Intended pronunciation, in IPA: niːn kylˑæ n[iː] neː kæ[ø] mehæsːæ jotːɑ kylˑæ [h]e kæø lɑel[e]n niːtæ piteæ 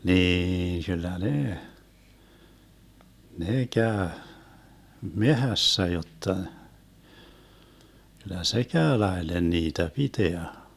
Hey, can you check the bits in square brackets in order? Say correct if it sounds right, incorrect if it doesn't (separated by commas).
incorrect, correct, incorrect, correct